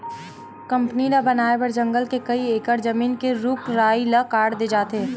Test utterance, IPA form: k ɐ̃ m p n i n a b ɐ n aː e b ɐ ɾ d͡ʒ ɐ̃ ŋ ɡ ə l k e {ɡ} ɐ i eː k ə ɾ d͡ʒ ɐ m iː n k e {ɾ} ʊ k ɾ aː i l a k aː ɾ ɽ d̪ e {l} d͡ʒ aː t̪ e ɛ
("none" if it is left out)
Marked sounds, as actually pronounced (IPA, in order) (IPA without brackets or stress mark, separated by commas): k, ɾ, none